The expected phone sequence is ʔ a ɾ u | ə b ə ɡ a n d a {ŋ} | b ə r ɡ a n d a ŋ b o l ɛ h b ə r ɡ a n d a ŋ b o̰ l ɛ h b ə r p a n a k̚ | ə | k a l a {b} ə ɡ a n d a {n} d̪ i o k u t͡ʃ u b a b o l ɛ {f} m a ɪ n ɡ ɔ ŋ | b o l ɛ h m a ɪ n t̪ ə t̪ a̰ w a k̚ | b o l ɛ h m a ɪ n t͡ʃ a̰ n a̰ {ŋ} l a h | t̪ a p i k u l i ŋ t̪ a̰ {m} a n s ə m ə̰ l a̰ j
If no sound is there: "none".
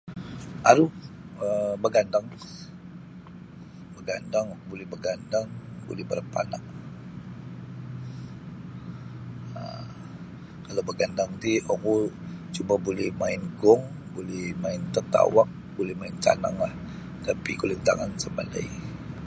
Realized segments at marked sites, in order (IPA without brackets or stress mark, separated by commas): ŋ, b, ŋ, h, ŋ, ŋ